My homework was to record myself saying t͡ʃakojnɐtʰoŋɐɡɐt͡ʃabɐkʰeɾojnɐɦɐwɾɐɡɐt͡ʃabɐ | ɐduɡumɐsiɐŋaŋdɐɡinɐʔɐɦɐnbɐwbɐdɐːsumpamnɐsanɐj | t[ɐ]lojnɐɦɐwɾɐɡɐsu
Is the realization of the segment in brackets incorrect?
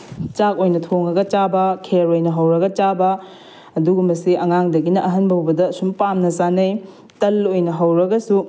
no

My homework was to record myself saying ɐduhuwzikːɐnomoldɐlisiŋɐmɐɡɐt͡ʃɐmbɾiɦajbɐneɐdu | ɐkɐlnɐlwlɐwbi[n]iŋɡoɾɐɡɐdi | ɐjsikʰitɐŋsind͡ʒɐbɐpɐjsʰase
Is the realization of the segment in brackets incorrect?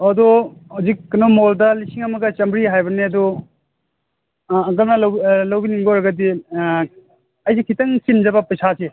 no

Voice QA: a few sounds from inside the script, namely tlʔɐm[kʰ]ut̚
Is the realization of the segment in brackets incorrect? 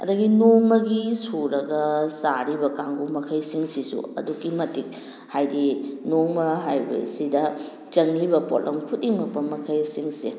no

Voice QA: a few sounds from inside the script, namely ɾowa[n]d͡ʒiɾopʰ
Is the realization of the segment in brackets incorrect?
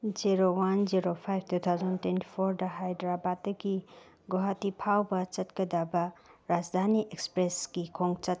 no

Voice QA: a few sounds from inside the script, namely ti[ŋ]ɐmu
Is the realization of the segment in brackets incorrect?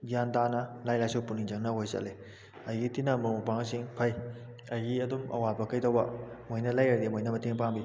yes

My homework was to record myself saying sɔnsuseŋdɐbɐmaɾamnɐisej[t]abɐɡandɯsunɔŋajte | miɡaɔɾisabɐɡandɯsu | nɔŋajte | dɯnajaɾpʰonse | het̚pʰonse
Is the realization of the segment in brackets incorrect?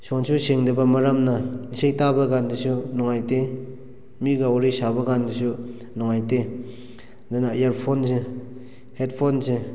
no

